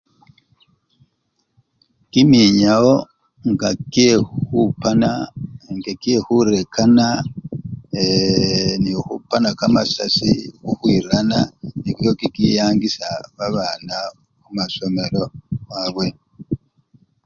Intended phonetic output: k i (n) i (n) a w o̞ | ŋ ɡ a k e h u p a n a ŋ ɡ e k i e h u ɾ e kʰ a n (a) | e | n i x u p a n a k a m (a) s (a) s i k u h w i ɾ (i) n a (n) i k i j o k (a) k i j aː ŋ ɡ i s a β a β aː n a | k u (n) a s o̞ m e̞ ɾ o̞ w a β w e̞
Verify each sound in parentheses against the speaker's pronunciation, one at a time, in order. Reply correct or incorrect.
incorrect, incorrect, correct, correct, correct, incorrect, correct, incorrect, incorrect

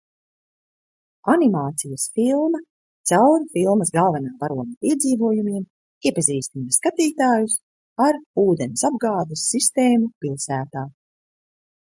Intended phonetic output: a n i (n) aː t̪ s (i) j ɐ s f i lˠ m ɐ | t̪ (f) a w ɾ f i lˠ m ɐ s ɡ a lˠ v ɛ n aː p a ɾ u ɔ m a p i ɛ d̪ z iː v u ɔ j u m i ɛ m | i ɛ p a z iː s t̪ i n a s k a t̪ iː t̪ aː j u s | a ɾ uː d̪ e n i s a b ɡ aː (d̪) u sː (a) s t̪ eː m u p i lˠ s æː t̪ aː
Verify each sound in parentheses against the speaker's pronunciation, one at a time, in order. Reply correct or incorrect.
incorrect, correct, incorrect, correct, incorrect

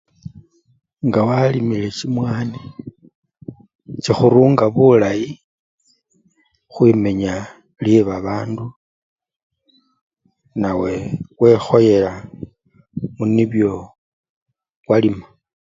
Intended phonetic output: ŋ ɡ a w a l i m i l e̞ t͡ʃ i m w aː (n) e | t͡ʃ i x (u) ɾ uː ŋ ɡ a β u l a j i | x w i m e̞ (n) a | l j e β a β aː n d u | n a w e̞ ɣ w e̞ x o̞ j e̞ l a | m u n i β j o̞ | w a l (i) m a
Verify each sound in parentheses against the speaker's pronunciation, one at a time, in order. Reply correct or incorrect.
correct, correct, incorrect, correct

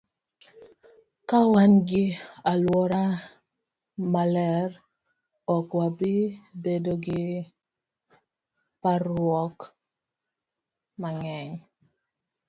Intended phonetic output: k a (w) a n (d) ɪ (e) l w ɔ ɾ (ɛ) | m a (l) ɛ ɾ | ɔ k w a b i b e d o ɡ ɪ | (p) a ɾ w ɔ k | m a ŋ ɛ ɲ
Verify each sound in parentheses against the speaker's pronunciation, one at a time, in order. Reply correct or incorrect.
correct, incorrect, incorrect, incorrect, correct, correct

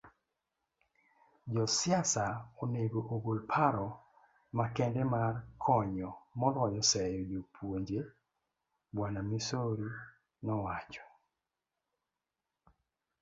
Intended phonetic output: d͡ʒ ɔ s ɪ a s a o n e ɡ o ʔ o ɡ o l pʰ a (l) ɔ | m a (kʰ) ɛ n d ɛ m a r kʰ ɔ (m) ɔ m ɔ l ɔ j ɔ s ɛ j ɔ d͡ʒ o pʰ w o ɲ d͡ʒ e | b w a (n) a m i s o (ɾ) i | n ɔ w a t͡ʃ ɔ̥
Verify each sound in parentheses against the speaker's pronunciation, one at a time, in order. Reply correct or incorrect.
incorrect, incorrect, incorrect, correct, correct

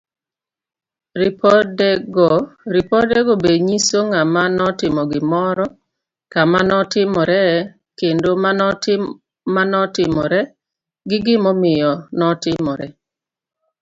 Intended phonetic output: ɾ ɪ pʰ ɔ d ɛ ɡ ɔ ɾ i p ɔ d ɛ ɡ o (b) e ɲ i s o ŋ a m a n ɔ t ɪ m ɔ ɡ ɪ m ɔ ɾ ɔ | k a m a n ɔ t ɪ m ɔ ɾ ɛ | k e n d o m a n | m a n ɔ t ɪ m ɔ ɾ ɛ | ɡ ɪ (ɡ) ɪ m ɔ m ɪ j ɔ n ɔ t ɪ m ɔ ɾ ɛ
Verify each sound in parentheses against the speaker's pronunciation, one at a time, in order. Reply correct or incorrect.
correct, correct

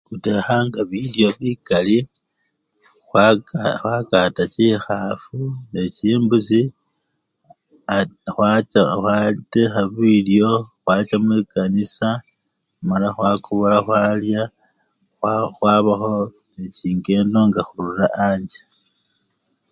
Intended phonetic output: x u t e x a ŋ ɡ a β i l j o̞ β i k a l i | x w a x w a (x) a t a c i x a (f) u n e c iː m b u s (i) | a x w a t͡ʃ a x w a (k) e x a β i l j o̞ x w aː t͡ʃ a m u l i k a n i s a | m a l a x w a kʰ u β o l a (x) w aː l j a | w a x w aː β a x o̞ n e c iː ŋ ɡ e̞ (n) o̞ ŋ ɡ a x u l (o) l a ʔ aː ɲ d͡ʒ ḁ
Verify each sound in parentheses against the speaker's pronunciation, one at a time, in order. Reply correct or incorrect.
incorrect, correct, correct, incorrect, correct, correct, incorrect

